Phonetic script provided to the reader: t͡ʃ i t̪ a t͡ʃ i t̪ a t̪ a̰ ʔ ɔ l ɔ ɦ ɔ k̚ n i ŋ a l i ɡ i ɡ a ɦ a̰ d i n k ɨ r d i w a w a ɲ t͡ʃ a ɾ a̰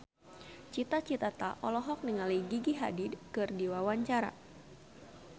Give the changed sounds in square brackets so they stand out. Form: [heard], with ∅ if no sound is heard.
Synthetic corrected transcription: t͡ʃ i t̪ a t͡ʃ i t̪ a t̪ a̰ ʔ ɔ l ɔ ɦ ɔ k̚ n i ŋ a l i ɡ i ɡ [i] ɦ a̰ d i [d] k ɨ r d i w a w a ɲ t͡ʃ a ɾ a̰

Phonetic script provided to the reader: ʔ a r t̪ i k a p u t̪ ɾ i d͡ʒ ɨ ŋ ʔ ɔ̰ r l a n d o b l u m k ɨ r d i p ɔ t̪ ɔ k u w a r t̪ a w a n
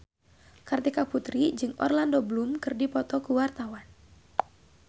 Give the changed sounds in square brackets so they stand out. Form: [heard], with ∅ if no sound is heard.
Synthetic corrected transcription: [k] a r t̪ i k a p u t̪ ɾ i d͡ʒ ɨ ŋ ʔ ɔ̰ r l a n d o b l u m k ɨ r d i p ɔ t̪ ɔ k u w a r t̪ a w a n

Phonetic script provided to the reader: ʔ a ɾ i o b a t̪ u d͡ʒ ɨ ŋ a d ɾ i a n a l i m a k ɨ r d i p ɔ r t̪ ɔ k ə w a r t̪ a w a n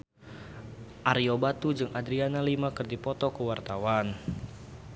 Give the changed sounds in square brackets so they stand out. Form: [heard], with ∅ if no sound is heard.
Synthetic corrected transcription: ʔ a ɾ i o b a t̪ u d͡ʒ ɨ ŋ a d ɾ i a n a l i m a k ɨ r d i p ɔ [∅] t̪ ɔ k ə w a r t̪ a w a n

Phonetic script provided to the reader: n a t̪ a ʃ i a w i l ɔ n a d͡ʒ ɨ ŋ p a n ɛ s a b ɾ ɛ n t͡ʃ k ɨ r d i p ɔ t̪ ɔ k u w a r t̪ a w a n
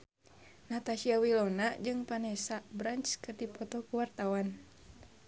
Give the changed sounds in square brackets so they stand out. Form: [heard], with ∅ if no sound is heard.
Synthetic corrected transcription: n a t̪ a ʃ i a w i l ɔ n a d͡ʒ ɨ ŋ p a n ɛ s a b ɾ [a] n t͡ʃ k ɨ r d i p ɔ t̪ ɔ k u w a r t̪ a w a n

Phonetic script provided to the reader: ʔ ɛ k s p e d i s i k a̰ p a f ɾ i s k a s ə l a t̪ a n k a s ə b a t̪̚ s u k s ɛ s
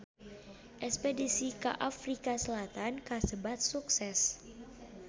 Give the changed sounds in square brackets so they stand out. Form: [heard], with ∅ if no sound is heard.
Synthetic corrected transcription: ʔ ɛ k s p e d i s i k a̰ [ʔ] a f ɾ i [∅] k a s ə l a t̪ a n k a s ə b a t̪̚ s u k s ɛ s

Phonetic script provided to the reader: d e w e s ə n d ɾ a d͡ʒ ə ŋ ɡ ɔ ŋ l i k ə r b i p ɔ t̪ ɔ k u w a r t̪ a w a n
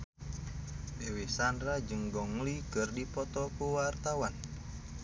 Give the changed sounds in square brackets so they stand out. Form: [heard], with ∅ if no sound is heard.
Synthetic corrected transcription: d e w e s [a] n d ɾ a d͡ʒ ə ŋ ɡ ɔ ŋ l i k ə r [d] i p ɔ t̪ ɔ k u w a r t̪ a w a n

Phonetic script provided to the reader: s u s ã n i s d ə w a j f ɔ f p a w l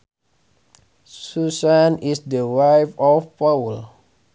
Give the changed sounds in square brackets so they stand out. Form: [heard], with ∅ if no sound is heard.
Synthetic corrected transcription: s u s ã n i s d ə w a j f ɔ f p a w l

